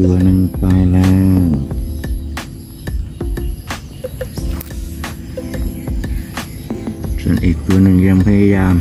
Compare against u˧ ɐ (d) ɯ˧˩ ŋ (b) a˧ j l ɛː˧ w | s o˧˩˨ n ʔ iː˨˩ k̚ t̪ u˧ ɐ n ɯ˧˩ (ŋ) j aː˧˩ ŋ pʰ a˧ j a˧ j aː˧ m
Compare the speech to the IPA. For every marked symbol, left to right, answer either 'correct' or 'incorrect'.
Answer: incorrect, incorrect, correct

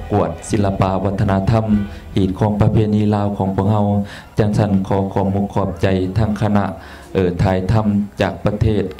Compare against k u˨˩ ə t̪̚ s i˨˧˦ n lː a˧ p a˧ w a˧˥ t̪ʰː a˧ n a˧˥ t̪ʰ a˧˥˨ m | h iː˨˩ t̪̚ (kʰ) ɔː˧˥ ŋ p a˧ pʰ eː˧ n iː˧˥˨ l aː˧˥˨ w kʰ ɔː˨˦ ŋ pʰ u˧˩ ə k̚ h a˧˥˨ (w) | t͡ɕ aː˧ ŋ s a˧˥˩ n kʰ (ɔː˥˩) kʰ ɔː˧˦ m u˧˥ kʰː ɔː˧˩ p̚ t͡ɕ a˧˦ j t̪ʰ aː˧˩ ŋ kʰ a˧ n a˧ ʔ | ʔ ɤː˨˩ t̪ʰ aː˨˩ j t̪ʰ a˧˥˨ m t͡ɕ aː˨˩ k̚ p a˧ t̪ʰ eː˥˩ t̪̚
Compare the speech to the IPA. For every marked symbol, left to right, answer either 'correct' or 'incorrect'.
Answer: correct, correct, incorrect

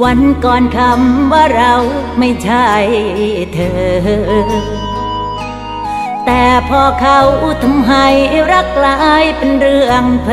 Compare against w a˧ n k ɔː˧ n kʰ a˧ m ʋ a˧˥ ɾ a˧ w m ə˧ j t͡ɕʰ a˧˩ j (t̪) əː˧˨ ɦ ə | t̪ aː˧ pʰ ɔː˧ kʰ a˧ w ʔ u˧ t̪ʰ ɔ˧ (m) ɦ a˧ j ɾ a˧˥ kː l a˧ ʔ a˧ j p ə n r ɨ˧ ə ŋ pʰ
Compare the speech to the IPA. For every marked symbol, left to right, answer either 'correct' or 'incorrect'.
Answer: incorrect, correct

